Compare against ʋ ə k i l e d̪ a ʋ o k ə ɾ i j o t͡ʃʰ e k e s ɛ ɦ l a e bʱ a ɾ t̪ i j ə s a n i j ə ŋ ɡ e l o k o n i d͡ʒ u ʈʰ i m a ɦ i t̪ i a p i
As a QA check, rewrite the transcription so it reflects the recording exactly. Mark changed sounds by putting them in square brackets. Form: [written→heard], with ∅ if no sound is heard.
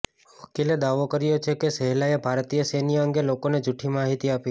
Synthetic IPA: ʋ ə k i l e d̪ a ʋ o k ə ɾ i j o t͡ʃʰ e k e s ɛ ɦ l a e bʱ a ɾ t̪ i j ə s [a→e] n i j ə ŋ ɡ e l o k o n [i→e] d͡ʒ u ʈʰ i m a ɦ i t̪ i a p i

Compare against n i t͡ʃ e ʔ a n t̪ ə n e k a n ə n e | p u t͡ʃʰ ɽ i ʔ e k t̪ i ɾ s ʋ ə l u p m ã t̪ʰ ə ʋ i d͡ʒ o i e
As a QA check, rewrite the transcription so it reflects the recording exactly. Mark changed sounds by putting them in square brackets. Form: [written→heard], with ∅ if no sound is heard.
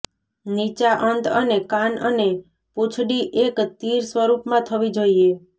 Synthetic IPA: n i t͡ʃ [e→a] ʔ [a→ə] n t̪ ə n e k a n ə n e | p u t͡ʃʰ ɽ i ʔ e k t̪ i ɾ s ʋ ə [l→ɾ] u p m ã t̪ʰ ə ʋ i d͡ʒ o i e

